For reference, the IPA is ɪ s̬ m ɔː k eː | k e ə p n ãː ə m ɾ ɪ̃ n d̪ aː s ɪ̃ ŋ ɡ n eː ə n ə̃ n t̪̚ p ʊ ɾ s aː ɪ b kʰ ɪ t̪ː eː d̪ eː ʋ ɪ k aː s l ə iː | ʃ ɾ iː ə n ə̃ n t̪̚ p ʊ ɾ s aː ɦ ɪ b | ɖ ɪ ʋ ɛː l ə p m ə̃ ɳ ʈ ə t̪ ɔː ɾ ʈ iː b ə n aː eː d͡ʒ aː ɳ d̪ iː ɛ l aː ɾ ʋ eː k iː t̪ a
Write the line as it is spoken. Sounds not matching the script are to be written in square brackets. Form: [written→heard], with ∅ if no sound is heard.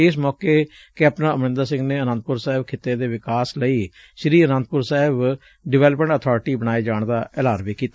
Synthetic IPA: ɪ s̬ m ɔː k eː | k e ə p n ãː ə m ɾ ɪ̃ n d̪ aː s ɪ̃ ŋ ɡ n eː ə n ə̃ n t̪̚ p ʊ ɾ s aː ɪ b kʰ ɪ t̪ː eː d̪ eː ʋ ɪ k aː s l ə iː | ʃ ɾ iː ə n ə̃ n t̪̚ p ʊ ɾ s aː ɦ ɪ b | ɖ ɪ ʋ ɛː l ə p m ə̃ ɳ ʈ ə [t̪→t̪ʰ] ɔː ɾ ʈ iː b ə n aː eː d͡ʒ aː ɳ d̪ [iː→aː] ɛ l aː ɾ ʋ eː k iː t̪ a